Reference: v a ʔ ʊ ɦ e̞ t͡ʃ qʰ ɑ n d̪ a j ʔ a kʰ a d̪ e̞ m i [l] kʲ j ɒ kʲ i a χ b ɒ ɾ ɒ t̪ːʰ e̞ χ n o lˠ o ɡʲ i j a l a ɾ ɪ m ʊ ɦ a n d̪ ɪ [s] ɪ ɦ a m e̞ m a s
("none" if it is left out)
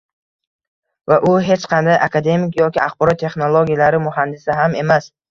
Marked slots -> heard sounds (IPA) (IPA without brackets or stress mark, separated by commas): none, s